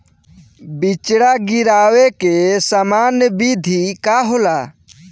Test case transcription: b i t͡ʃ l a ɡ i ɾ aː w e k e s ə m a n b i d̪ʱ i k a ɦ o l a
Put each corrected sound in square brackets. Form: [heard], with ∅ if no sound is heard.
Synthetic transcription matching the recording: b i t͡ʃ [ɽ] a ɡ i ɾ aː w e k e s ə m a n b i d̪ʱ i k a ɦ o l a